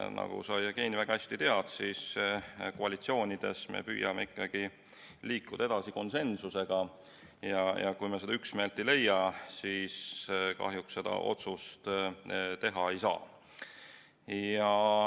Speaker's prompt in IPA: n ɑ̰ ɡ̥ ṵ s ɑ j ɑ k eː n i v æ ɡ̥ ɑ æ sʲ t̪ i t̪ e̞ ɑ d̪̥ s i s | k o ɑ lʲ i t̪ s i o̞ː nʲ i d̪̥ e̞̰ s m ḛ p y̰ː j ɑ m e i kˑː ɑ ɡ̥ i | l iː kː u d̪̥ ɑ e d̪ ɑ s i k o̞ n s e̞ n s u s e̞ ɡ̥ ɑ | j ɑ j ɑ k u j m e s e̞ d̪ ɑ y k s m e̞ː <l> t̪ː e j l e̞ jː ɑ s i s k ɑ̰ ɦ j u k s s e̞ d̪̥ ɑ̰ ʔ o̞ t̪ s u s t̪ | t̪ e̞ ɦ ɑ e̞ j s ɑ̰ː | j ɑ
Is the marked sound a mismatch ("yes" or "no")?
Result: no